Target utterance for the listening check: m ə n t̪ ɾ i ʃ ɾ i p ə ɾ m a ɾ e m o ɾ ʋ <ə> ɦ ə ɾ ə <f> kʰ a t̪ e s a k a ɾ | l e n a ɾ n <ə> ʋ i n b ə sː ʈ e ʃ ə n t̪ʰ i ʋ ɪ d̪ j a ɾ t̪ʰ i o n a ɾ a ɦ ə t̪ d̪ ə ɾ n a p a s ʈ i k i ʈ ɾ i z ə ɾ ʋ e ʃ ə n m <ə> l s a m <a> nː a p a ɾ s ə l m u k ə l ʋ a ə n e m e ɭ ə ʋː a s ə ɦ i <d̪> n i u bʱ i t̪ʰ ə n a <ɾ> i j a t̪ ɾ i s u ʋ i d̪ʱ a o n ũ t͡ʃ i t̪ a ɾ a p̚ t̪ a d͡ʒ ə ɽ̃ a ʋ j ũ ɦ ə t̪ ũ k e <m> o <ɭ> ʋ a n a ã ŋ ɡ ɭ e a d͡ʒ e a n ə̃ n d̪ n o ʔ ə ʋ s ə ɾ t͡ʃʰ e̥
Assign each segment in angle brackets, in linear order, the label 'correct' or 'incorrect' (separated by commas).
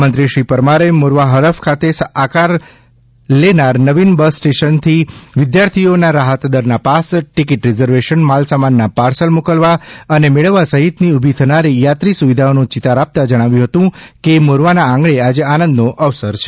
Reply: incorrect, correct, correct, incorrect, correct, incorrect, correct, correct, incorrect